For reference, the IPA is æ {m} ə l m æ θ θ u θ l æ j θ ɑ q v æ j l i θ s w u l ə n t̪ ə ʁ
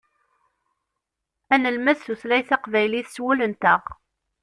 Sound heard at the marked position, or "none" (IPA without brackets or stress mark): n